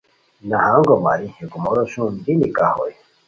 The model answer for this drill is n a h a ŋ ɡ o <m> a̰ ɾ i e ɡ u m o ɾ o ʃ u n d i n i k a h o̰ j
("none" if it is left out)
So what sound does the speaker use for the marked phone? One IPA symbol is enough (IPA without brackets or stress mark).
m